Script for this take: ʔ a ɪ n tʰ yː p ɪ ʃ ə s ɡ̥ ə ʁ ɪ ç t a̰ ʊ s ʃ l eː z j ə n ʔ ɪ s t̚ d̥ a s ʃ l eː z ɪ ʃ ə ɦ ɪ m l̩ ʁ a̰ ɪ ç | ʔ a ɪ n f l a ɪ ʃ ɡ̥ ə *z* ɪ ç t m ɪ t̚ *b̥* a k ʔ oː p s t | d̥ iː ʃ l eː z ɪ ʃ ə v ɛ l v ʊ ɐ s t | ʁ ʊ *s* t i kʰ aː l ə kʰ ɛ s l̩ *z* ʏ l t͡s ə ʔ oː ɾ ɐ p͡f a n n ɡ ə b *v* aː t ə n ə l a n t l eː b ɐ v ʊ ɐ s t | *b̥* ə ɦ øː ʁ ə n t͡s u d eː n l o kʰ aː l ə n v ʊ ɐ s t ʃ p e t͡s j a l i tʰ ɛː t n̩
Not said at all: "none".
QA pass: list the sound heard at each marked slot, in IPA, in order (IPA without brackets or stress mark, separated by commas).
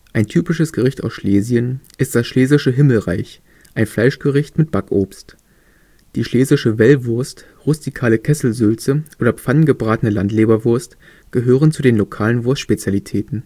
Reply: ʁ, b̥, s, z, ʁ, ɡ̥